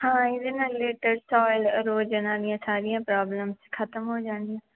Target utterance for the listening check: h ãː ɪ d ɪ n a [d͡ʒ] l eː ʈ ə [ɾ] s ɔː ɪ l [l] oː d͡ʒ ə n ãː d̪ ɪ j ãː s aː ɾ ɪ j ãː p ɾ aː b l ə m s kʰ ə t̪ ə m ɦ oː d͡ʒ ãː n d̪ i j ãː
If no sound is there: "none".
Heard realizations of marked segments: none, ɾ, ɾ

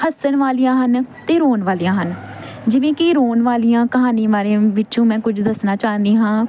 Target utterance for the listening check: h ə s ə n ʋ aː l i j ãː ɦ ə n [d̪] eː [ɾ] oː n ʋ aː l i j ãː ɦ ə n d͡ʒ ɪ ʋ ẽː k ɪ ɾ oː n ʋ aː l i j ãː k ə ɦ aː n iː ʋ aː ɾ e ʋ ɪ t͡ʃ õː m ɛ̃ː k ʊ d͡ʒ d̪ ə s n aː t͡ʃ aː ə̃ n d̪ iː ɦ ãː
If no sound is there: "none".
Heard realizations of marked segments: t̪, ɾ

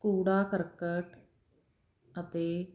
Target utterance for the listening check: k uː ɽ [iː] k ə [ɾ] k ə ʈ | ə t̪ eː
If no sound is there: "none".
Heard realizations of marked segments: aː, ɾ

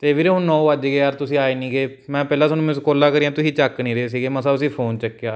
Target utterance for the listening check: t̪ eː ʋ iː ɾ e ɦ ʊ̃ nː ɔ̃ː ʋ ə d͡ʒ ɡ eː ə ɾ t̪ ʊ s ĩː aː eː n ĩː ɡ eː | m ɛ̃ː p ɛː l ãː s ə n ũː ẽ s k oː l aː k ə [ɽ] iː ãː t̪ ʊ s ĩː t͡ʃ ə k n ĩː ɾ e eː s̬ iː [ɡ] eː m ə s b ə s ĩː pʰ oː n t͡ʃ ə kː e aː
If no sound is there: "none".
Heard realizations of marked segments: ɾ, ɡ

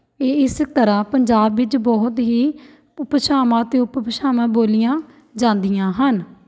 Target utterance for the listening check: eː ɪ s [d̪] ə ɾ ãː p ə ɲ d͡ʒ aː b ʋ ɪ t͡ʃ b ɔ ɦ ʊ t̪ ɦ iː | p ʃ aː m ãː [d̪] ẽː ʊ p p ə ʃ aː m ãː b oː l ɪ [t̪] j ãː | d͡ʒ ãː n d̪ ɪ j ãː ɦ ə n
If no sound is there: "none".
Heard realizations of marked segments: t̪, t̪, none

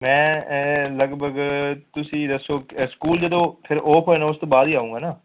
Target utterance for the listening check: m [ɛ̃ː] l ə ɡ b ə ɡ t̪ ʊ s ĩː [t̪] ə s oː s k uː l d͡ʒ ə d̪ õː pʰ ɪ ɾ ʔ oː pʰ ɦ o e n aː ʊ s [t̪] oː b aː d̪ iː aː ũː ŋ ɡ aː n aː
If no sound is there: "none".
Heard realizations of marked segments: ɛ̃ː, d̪, t̪

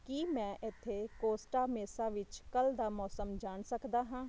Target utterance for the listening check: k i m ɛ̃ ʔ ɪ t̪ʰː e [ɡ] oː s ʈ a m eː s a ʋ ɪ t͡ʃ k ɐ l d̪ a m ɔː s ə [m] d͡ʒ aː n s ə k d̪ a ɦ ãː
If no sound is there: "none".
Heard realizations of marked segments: k, m

